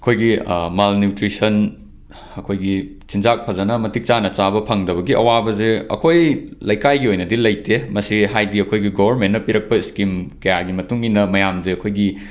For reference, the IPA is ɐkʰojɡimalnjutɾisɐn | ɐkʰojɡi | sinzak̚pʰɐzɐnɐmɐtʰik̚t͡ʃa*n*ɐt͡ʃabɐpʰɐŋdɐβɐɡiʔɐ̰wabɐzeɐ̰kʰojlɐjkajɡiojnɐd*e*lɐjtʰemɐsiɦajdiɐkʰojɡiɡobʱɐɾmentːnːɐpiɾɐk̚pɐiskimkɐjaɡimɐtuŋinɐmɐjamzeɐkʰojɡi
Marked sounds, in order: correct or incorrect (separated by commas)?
correct, incorrect